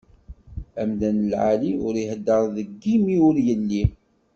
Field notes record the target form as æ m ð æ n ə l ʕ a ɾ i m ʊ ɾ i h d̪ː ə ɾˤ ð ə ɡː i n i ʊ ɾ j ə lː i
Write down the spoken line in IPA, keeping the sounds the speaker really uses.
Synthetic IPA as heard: æ m ð æ n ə l ʕ a l i ʊ ɾ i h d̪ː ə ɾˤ ð ə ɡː i m i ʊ ɾ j ə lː i